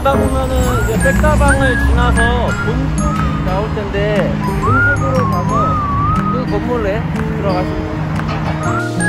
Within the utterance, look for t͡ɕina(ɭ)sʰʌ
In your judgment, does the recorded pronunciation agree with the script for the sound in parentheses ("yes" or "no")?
no